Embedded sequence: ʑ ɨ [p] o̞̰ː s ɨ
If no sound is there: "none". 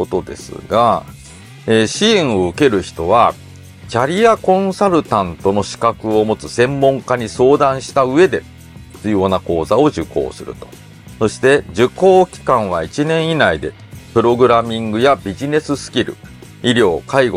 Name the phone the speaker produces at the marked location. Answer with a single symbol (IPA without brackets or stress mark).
k